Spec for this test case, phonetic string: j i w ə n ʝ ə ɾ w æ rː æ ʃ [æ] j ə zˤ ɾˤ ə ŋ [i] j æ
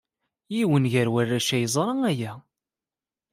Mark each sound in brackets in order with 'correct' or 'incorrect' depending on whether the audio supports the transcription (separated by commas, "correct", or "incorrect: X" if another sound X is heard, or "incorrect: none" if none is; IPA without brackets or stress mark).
correct, incorrect: æ